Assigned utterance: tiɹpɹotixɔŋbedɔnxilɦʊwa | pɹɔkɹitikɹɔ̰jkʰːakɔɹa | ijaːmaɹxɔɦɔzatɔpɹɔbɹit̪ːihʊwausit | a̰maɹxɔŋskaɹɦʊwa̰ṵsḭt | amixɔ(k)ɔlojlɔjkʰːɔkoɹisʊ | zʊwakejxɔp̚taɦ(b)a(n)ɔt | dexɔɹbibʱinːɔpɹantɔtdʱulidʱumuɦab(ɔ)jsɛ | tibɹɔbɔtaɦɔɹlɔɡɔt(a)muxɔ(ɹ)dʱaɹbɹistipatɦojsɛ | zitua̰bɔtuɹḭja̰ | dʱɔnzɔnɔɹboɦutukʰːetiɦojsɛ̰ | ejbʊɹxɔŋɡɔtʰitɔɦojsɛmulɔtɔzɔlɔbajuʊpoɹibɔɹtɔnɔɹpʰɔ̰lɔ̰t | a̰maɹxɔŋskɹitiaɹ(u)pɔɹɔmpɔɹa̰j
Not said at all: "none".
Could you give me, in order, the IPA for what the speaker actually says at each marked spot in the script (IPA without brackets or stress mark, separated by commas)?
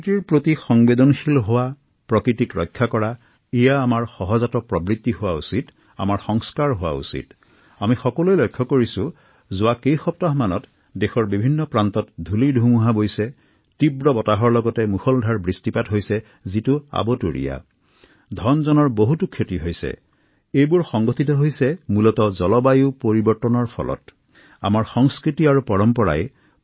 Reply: k, m, n, o, ɛ, l, u